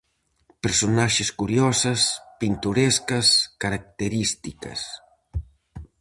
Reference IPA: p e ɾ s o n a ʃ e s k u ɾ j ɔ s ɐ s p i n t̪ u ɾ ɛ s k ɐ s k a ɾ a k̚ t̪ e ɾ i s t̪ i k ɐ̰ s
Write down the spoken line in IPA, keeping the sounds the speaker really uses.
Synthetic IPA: p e ɾ s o n a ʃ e s k u ɾ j ɔ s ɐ s p i n t̪ u ɾ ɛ s k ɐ s k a ɾ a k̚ t̪ e ɾ i s t̪ i k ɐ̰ s